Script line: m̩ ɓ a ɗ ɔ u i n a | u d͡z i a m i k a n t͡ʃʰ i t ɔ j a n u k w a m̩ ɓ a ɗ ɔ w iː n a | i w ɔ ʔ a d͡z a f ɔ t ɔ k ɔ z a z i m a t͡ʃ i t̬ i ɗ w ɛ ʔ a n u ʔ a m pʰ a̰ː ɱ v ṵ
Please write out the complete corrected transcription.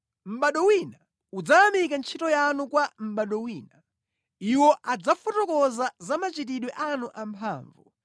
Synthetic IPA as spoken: m̩ ɓ a ɗ ɔ w i n a | u d͡z a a m i k a n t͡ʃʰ i t ɔ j a n u k w a m̩ ɓ a ɗ ɔ w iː n a | i w ɔ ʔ a d͡z a f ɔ t ɔ k ɔ z a z a m a t͡ʃ i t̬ i ɗ w ɛ ʔ a n u ʔ a m pʰ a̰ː ɱ v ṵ